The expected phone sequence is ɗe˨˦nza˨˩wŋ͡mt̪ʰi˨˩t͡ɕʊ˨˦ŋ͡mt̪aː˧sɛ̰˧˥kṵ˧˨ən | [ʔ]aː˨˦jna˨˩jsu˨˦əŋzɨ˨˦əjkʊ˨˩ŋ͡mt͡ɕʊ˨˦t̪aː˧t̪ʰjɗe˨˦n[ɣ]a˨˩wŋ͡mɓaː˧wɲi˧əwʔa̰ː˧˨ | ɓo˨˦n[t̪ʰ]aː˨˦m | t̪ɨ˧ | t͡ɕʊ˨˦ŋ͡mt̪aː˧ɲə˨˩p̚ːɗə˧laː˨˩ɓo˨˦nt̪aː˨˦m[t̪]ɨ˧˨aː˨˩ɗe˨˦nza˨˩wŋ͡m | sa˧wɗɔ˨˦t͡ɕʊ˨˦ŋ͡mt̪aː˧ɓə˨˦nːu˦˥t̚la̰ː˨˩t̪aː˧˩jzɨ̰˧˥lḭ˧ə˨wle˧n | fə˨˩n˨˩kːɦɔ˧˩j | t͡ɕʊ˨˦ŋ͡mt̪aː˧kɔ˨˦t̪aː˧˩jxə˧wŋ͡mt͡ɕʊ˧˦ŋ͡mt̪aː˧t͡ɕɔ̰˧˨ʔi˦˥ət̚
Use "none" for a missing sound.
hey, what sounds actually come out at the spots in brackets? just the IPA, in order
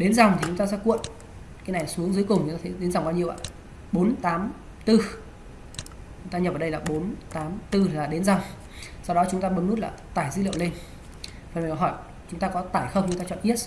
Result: k, z, t̪, t̪

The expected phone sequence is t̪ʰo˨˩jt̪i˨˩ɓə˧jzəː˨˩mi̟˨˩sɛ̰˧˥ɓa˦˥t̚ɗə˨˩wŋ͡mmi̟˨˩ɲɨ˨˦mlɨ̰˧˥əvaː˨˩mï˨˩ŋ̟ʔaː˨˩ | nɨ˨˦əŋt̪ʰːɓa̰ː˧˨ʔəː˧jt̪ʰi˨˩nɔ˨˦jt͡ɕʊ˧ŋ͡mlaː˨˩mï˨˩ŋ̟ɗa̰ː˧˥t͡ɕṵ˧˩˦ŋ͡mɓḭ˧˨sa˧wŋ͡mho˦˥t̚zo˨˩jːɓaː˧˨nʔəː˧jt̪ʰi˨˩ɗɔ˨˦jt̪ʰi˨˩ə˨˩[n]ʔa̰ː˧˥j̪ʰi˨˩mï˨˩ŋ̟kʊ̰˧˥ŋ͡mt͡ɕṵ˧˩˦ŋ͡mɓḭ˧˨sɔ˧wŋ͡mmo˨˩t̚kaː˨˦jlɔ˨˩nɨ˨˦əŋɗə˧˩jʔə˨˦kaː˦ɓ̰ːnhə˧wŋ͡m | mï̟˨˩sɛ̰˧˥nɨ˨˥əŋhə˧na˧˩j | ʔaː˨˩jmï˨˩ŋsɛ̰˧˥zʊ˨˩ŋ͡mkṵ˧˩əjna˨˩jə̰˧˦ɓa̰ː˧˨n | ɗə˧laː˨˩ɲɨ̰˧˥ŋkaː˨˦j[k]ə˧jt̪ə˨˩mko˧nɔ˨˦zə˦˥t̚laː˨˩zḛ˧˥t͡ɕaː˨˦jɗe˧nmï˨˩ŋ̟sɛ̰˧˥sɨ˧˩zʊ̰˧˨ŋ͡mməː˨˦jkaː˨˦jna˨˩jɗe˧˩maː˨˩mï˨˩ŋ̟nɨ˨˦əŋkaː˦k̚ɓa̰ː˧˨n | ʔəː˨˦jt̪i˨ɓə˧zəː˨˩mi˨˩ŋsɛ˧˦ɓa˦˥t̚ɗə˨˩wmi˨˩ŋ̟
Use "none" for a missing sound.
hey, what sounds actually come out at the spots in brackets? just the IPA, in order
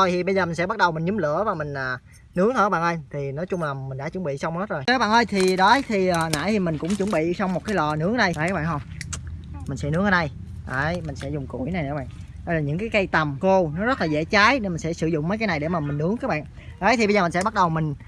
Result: n, k

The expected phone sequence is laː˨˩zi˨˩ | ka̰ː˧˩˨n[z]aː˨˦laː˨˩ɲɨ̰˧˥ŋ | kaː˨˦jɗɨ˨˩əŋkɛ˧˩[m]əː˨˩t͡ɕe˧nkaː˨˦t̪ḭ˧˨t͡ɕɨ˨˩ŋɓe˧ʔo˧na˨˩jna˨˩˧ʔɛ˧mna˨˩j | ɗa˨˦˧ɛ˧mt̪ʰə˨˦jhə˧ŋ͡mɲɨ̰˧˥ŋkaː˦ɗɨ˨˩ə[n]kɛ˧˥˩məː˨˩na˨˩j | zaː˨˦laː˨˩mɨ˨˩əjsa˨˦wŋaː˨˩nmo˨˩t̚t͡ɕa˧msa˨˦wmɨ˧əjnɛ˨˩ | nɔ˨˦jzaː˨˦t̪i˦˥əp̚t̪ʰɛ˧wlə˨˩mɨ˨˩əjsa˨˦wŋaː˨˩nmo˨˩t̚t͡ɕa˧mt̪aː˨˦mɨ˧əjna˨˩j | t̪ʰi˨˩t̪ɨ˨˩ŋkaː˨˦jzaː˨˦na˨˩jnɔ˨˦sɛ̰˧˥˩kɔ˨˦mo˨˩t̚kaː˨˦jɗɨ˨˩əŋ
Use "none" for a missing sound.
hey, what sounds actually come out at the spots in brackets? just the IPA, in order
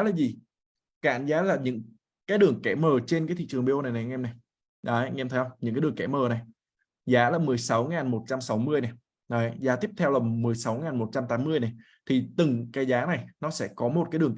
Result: z, m, ŋ

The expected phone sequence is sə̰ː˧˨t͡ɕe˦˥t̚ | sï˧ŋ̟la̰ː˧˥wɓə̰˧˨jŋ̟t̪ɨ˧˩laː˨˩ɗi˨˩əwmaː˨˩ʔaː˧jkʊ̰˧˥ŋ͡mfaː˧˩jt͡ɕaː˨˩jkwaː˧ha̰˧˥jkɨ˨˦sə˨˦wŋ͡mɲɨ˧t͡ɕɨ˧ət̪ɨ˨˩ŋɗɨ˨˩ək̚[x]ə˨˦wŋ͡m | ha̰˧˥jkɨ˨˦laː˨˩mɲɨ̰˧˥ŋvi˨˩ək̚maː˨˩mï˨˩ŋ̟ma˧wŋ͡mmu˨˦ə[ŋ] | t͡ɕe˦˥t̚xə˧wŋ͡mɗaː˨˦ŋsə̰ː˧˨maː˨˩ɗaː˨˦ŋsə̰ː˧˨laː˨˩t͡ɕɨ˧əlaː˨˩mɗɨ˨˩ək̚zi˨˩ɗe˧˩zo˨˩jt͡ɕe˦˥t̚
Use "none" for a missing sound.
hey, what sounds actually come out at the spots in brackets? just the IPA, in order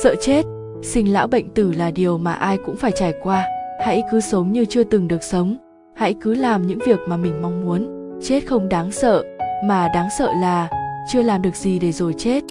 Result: s, n

